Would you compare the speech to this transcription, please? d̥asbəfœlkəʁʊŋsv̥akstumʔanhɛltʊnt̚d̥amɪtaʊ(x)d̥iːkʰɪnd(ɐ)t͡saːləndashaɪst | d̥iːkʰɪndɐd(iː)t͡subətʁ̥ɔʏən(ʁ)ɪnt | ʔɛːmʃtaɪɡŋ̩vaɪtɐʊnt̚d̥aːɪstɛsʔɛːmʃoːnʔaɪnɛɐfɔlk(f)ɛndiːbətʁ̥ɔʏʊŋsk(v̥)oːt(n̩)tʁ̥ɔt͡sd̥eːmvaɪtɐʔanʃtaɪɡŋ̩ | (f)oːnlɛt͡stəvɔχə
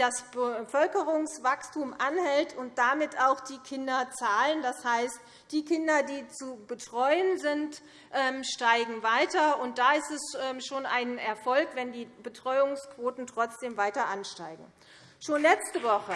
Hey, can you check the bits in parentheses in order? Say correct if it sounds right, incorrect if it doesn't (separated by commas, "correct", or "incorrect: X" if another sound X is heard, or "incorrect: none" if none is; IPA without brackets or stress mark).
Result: correct, correct, correct, incorrect: z, incorrect: v, correct, correct, incorrect: ʃ